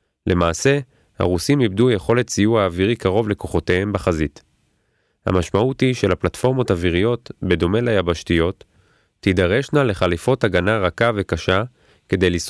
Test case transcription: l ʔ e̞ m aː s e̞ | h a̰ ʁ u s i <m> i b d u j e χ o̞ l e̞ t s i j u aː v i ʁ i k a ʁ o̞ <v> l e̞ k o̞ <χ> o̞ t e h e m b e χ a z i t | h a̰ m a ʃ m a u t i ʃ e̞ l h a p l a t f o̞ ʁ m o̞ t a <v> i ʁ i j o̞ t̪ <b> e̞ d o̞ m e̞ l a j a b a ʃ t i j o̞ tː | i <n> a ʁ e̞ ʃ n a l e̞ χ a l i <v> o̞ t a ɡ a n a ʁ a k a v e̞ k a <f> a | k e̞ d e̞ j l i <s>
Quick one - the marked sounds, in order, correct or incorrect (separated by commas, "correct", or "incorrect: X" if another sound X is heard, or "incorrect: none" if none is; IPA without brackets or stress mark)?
correct, correct, correct, correct, correct, incorrect: d, incorrect: f, incorrect: ʃ, correct